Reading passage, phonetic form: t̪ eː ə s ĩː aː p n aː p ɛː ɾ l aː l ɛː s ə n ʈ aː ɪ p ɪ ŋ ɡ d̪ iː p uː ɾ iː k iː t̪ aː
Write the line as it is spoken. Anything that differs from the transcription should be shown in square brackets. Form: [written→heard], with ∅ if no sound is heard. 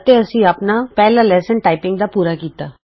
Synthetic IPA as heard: t̪ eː ə s ĩː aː p n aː p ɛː [ɾ→∅] l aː l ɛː s ə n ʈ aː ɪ p ɪ ŋ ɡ d̪ [iː→aː] p uː ɾ [iː→aː] k iː t̪ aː